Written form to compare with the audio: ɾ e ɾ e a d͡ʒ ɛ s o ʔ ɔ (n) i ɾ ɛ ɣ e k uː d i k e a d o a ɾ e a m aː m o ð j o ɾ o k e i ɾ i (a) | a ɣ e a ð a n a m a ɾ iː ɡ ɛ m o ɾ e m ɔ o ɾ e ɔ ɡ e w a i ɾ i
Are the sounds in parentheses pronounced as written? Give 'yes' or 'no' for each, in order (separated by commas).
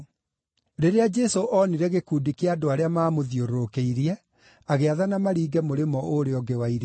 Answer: yes, no